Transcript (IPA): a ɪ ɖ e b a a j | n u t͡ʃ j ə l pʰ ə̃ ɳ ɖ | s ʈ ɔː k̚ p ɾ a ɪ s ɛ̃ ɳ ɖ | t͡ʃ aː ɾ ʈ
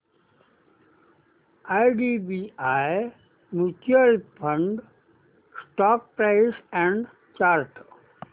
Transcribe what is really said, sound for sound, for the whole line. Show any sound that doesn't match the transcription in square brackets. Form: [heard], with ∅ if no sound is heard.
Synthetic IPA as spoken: a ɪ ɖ [i] b [i] a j | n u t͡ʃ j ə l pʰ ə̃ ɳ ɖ | s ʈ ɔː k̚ p ɾ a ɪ s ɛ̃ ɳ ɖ | t͡ʃ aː ɾ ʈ